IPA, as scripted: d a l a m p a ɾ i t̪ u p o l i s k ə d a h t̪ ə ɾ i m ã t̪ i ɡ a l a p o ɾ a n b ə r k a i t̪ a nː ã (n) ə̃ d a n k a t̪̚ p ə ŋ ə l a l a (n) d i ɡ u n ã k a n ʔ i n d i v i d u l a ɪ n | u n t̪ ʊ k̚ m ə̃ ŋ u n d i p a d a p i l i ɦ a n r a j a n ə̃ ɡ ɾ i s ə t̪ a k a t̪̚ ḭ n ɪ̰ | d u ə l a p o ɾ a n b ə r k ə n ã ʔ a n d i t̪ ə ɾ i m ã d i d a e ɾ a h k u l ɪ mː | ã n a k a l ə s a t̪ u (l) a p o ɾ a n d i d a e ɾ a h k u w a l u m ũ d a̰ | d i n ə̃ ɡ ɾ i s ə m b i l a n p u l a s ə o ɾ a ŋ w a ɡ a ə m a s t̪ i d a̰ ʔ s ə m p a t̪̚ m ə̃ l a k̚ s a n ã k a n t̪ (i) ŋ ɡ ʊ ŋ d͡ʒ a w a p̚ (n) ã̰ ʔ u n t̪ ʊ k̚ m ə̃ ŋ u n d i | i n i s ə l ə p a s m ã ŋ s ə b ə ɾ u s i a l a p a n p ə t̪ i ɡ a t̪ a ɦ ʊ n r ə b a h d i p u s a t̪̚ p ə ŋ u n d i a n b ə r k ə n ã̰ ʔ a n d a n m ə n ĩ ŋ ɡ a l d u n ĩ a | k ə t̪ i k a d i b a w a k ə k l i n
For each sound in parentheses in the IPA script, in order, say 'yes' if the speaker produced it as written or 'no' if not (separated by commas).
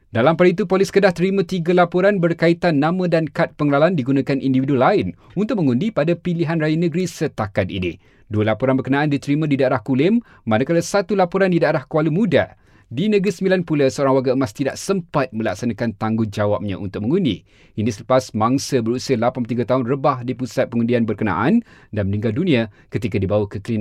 no, yes, yes, no, no